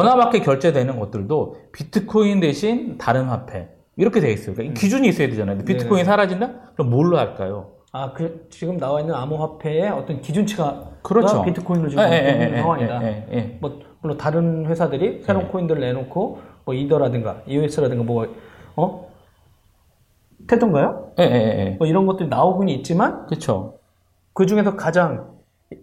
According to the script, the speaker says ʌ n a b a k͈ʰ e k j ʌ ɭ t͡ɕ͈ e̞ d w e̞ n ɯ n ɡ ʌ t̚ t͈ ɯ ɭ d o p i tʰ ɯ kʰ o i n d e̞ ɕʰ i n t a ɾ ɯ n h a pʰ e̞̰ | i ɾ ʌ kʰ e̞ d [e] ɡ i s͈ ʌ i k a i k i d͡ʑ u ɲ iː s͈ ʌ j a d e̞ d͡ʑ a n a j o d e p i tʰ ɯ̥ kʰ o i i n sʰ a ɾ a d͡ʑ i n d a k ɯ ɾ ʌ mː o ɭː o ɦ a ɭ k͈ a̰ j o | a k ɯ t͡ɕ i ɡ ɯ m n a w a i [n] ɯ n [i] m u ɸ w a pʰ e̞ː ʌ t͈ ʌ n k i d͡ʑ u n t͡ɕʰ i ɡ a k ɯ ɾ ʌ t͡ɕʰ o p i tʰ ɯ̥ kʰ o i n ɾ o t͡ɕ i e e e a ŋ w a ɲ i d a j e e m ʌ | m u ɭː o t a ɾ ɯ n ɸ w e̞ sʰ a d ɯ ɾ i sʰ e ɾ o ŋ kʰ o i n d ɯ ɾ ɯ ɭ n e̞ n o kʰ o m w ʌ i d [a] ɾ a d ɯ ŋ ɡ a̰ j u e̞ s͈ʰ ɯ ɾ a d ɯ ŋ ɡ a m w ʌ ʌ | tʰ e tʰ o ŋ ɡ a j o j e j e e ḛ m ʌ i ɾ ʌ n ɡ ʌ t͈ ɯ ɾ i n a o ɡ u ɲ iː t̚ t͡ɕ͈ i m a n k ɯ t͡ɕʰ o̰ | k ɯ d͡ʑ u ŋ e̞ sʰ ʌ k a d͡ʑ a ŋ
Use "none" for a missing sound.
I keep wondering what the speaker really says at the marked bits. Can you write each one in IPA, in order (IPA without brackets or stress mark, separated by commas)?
e, nː, a, ʌ